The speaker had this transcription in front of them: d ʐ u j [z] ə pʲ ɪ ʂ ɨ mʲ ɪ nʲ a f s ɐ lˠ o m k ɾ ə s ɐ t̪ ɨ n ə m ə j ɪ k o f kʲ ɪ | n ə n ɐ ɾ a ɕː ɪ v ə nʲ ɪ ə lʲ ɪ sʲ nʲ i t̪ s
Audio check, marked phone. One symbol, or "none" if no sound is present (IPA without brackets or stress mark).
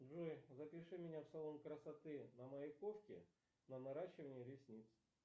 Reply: z